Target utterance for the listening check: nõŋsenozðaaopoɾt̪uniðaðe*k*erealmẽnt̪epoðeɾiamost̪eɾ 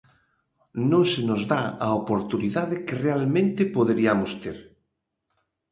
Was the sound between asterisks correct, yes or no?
yes